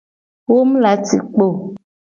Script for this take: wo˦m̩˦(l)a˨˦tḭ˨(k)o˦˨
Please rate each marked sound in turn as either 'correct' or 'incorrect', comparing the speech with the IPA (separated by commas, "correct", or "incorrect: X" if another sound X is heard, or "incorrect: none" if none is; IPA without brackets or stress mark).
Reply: correct, incorrect: k͡p